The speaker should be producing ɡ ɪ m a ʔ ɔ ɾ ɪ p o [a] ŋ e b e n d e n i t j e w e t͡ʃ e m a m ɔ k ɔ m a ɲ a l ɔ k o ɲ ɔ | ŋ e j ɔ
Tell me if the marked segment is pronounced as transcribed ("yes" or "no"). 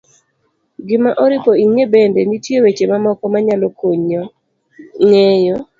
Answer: no